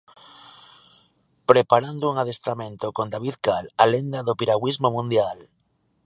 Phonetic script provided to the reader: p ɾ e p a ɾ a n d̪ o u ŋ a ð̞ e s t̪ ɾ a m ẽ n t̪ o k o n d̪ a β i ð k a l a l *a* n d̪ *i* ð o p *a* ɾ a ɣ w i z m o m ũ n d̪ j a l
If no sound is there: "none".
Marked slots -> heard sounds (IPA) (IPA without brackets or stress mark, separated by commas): e, a, i